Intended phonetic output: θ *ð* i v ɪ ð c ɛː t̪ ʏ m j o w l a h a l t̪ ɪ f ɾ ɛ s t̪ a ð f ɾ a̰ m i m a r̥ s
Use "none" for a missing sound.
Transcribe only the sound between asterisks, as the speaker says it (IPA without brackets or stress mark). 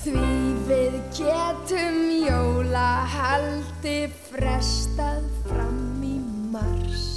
v